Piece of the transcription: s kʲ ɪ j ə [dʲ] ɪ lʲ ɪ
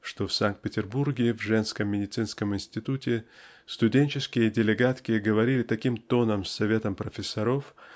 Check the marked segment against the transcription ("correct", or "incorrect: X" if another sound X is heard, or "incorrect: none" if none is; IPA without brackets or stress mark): correct